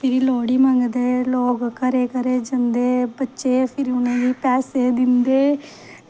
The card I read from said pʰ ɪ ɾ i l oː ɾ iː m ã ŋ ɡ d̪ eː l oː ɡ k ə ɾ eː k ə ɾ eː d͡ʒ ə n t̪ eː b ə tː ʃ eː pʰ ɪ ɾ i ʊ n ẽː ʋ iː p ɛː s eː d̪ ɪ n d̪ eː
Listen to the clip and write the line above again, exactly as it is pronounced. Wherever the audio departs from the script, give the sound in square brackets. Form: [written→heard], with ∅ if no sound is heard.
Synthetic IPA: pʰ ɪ ɾ i l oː [ɾ→ɽ] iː m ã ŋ ɡ d̪ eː l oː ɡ k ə ɾ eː k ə ɾ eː d͡ʒ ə n [t̪→d̪] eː b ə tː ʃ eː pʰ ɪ ɾ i ʊ n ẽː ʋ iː p ɛː s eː d̪ ɪ n d̪ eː